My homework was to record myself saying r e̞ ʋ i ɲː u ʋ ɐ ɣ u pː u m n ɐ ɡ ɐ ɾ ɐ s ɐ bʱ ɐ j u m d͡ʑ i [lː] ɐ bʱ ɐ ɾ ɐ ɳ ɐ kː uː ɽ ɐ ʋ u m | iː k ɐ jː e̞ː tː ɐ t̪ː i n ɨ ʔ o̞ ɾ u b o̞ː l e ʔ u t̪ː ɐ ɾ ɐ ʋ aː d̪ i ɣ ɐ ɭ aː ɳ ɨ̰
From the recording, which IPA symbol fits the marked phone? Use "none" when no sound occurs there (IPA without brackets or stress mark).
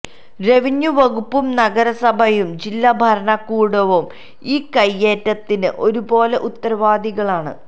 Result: lː